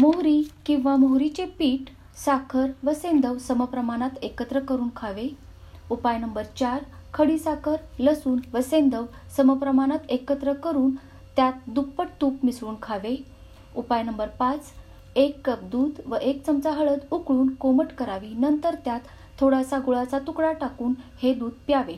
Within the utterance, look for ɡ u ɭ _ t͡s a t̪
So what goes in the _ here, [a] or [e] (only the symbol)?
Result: a